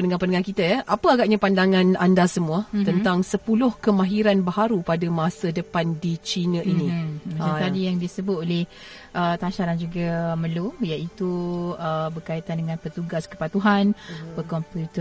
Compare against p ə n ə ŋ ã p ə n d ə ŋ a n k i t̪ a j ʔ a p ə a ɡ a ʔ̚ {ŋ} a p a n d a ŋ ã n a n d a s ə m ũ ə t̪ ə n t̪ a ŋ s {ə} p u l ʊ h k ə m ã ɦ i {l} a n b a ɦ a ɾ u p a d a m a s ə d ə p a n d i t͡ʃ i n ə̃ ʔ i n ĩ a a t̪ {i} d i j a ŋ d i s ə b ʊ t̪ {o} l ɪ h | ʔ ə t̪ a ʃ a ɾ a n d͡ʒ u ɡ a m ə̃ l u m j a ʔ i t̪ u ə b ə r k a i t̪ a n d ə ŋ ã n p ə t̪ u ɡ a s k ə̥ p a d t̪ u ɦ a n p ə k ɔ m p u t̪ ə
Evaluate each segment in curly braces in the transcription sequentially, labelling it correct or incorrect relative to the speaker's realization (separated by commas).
incorrect, correct, incorrect, incorrect, correct